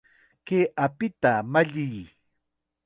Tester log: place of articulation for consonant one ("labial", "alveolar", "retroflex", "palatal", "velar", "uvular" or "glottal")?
velar